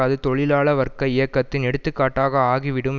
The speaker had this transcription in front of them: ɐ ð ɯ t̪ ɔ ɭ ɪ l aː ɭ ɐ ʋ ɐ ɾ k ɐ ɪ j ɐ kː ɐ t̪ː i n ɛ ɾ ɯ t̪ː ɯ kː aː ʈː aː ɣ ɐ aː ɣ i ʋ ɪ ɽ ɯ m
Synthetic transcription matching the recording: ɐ ð ɯ t̪ ɔ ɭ ɪ l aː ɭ ɐ ʋ ɐ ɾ k ɐ ɪ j ɐ kː ɐ t̪ː ɪ n ɛ ɽ ɯ t̪ː ɯ kː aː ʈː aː ɣ ɐ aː ɣ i ʋ ɪ ɽ ɯ m